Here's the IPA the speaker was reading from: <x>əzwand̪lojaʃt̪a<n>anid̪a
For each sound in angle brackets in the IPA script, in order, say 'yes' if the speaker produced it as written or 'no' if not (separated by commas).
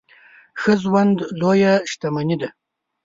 yes, no